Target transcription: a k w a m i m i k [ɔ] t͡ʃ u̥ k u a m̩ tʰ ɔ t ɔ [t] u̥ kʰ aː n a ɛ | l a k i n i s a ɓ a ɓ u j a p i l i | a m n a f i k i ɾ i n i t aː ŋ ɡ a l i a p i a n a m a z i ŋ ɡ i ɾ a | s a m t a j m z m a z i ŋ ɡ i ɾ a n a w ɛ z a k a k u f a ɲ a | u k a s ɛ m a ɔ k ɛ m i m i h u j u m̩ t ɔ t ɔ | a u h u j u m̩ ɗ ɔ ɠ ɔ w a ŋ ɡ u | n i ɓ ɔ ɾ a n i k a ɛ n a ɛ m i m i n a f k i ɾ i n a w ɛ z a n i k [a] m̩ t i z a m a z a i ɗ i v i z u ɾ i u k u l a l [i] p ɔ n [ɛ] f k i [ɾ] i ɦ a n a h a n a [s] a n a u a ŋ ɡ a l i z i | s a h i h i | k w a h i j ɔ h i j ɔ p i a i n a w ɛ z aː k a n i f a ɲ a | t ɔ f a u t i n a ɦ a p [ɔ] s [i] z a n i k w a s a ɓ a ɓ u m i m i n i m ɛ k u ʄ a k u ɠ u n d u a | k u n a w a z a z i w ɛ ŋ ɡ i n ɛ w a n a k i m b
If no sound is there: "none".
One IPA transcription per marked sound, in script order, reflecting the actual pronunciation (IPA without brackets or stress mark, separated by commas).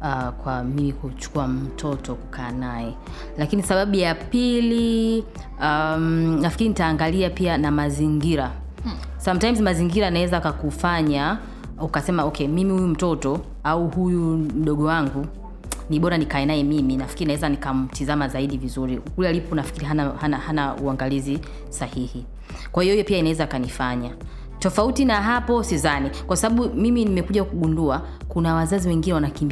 u, k, a, i, a, ɾ, h, ɔ, i